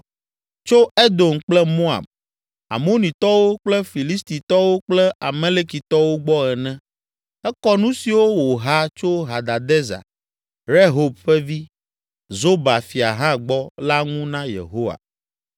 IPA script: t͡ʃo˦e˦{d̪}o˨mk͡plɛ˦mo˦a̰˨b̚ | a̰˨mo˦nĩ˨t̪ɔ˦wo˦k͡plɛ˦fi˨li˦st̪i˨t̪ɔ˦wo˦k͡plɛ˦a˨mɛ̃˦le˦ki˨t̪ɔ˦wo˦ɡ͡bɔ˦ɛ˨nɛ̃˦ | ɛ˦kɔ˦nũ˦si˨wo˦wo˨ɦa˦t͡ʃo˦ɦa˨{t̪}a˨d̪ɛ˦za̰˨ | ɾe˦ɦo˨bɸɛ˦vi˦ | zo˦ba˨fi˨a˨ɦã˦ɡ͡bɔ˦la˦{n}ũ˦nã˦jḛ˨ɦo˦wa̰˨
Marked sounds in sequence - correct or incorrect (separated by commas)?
correct, incorrect, incorrect